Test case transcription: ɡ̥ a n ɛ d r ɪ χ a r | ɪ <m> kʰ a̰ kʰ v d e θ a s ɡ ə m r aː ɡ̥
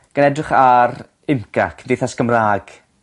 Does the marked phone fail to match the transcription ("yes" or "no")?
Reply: no